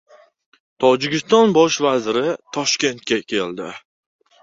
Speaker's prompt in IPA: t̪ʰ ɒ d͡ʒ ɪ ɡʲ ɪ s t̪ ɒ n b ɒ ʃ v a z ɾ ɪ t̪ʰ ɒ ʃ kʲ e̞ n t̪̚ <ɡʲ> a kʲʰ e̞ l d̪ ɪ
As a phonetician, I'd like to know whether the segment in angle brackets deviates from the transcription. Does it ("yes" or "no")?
yes